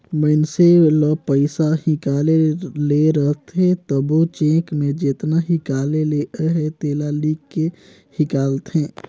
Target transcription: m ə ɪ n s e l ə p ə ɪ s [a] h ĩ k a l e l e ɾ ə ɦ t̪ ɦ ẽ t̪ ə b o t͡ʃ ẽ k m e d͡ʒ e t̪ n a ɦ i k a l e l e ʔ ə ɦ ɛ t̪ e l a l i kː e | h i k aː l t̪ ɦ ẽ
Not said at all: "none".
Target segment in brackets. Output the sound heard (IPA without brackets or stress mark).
a